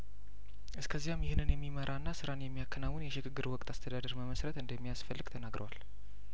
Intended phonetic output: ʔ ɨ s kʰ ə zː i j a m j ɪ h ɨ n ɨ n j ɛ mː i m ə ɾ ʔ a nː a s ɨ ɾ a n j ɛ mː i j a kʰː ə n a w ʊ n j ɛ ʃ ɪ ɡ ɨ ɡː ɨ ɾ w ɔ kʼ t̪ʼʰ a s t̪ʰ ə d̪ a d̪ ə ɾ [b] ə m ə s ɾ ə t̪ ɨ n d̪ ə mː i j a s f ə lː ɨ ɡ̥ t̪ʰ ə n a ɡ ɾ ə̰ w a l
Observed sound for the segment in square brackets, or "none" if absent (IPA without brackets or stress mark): m